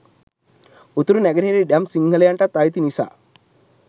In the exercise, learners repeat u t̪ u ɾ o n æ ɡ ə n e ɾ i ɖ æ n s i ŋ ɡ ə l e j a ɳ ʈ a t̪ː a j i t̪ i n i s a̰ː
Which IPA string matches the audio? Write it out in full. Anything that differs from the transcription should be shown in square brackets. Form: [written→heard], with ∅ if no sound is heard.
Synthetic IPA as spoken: u t̪ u ɾ [o→u] n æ ɡ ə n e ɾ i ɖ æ [n→m] s i ŋ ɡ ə l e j a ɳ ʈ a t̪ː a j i t̪ i n i s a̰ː